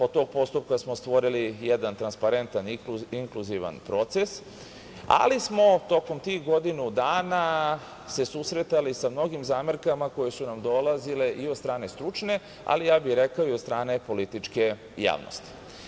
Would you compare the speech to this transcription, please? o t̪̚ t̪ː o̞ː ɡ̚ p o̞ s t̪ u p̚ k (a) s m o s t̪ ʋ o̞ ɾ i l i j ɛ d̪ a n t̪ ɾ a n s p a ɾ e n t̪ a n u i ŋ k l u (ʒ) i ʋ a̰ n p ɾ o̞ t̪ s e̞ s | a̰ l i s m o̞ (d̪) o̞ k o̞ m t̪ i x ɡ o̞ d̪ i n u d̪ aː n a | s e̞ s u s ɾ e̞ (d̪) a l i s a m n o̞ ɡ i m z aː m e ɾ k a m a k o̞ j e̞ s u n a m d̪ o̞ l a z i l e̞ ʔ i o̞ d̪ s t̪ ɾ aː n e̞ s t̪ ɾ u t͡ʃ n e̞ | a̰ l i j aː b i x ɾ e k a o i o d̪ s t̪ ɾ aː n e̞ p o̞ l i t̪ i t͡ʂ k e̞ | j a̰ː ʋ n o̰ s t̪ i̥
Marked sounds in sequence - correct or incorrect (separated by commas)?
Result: correct, incorrect, incorrect, incorrect